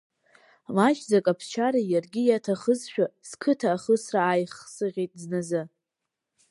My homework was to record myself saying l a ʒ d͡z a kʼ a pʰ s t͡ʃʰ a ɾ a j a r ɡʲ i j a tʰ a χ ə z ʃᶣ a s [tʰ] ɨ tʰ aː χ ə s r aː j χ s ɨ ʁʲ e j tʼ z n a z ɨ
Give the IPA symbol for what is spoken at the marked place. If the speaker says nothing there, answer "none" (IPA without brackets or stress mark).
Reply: kʰ